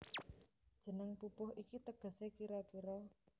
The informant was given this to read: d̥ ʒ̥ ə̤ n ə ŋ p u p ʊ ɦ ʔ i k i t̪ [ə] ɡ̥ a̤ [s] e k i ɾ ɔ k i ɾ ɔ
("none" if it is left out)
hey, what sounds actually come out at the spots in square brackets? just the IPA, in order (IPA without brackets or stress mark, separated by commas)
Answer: ə, s